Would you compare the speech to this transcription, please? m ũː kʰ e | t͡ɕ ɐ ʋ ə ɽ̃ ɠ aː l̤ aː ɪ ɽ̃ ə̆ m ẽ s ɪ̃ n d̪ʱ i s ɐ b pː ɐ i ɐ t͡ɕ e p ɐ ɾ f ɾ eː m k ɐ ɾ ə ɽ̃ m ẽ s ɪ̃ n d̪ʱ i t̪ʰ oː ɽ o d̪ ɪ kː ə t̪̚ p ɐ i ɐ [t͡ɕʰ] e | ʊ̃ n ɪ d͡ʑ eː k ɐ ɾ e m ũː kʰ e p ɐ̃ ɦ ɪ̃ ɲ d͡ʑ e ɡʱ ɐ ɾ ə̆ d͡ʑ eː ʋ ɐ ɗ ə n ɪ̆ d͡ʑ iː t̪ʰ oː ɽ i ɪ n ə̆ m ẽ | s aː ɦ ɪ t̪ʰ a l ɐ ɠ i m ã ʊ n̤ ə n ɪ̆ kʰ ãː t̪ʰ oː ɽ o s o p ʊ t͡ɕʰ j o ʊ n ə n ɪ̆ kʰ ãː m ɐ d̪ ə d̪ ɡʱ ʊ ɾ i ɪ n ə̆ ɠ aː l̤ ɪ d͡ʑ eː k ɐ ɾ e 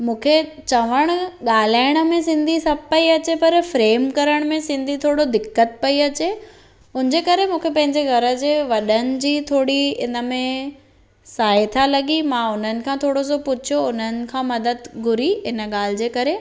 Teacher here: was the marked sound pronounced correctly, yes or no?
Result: no